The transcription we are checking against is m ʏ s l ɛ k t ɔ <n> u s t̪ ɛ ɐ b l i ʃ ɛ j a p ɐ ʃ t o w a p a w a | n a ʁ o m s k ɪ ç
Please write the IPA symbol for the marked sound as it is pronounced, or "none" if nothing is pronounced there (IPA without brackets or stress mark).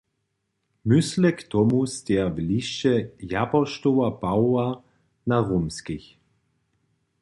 m